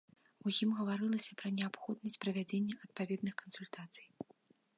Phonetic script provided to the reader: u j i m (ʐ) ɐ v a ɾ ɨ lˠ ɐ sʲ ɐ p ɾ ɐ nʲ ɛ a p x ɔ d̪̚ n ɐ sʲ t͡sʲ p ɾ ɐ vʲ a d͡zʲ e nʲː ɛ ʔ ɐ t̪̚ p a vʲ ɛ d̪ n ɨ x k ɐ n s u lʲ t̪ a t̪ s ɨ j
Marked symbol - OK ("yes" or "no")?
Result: no